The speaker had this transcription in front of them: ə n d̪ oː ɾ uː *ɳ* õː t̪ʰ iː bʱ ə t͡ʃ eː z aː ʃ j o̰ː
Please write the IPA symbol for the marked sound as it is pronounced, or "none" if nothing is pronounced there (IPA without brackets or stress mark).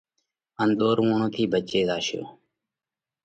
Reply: ɳ